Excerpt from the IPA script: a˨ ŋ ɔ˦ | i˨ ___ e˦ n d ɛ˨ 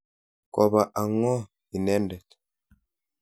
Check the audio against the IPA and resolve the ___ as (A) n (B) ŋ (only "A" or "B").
A